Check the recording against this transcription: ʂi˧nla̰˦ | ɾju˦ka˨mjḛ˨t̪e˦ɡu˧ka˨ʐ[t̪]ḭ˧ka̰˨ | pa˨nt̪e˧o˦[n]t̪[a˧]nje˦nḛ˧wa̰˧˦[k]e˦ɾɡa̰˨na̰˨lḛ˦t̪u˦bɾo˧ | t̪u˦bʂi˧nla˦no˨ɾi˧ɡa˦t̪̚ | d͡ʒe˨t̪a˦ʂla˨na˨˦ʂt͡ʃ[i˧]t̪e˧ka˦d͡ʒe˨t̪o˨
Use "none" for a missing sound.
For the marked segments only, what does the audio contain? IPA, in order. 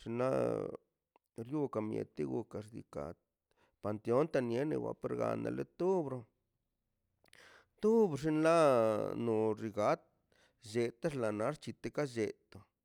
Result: d̪, n, a˧, p, i˧

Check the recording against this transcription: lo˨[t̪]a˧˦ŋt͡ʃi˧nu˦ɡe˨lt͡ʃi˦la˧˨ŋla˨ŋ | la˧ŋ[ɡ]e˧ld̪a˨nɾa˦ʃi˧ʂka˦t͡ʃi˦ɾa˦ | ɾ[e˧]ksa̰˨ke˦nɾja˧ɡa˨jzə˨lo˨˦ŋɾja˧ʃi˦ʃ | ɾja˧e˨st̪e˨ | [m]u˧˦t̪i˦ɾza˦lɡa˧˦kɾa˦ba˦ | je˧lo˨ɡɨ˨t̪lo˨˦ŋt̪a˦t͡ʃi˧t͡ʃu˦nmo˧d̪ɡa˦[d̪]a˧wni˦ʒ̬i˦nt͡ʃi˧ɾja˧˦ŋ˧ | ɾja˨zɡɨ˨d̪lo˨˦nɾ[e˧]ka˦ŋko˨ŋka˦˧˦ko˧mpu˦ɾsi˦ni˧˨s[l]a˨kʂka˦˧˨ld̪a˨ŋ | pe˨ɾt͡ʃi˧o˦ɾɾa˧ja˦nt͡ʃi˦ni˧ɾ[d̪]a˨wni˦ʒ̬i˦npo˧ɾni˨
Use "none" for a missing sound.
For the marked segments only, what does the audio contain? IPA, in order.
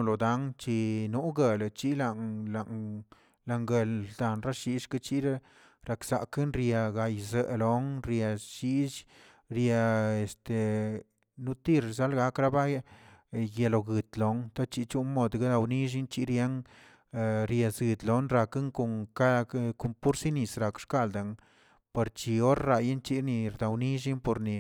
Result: d̪, ɡ, a˧, n, d̪, a˧, ɾ, d̪

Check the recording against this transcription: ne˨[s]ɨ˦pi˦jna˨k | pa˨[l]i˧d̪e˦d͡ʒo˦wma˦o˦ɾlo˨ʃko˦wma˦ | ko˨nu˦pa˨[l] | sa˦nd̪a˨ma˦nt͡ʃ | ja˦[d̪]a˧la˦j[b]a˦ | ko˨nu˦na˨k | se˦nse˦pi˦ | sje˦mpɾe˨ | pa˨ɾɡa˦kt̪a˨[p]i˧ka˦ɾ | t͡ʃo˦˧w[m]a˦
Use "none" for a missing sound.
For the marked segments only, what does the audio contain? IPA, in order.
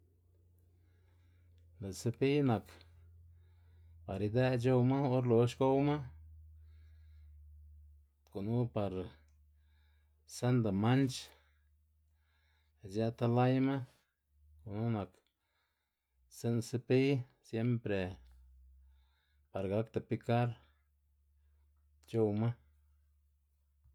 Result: s, ɾ, ɾ, t̪, m, p, m

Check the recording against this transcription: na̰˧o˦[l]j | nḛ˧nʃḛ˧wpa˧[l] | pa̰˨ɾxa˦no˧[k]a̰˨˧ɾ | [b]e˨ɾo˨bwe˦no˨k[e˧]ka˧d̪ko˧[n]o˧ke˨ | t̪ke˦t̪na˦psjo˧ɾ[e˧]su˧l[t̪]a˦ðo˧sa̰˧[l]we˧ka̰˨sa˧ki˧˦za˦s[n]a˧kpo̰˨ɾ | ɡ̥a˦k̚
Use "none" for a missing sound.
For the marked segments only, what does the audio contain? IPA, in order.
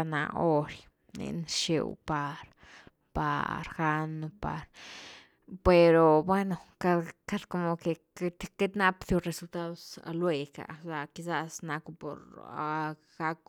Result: ɾ, ɾ, p, p, a˧, m, e˧, t̪, l, n

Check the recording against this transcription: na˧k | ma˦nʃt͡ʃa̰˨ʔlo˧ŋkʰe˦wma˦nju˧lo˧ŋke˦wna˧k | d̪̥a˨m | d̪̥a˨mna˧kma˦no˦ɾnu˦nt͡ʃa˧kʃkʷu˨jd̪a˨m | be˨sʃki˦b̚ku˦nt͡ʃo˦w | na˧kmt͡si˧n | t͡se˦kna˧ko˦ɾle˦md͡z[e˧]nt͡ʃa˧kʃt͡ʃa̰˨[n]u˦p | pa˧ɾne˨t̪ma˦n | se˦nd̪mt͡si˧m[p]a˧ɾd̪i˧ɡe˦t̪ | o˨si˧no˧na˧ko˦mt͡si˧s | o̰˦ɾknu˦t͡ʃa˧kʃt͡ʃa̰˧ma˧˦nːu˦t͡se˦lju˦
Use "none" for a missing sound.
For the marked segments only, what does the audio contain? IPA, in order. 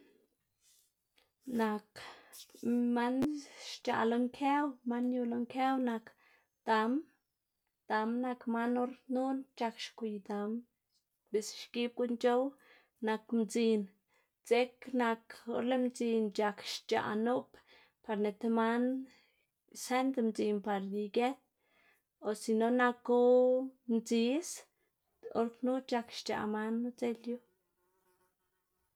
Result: i˧, n, p

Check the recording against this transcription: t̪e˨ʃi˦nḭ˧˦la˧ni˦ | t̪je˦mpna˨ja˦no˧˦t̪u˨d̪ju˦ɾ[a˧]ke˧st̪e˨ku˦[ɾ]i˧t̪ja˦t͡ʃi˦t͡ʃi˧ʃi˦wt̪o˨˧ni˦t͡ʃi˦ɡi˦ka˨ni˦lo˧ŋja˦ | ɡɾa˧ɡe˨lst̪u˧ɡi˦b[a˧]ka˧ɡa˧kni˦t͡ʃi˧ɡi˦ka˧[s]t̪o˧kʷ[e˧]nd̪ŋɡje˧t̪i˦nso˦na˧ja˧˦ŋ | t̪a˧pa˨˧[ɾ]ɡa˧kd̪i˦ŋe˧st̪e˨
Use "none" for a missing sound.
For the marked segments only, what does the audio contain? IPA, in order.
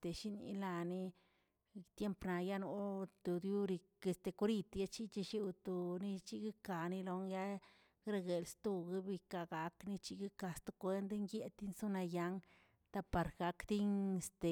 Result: i˧, ɾ, i˧, s, e˧, ɾ

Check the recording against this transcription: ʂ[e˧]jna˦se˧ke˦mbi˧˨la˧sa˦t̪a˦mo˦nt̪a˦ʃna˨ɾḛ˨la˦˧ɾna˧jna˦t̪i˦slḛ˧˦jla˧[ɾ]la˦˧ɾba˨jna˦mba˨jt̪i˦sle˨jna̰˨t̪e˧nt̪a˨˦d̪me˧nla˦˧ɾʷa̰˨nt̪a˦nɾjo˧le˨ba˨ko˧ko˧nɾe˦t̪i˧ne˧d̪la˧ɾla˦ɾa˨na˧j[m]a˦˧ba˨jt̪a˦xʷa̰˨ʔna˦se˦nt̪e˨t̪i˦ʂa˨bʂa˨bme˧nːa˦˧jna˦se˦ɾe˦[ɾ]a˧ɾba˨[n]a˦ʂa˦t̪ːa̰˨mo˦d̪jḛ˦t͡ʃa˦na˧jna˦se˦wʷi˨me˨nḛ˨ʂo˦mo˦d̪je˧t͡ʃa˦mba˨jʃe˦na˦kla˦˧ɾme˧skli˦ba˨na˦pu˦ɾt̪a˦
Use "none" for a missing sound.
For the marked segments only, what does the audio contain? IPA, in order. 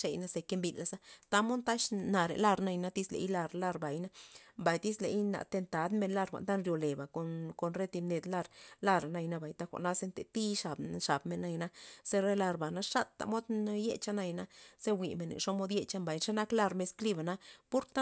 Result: e˧, ɾ, n, l, n

